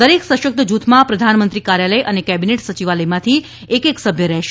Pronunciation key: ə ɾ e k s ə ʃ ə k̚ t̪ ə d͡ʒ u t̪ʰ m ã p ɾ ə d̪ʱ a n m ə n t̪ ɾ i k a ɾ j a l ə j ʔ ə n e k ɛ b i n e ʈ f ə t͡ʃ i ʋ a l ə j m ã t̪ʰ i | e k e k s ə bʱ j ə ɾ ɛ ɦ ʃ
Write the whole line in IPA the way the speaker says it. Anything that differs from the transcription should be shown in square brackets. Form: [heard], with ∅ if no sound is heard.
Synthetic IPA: ə ɾ e k s ə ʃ ə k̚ t̪ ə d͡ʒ u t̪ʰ m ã p ɾ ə d̪ʱ a n m ə n t̪ ɾ i k a ɾ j a l ə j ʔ ə n e k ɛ b i n e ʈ [s] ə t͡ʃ i ʋ a l ə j m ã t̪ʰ i | e k e k s ə bʱ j ə ɾ ɛ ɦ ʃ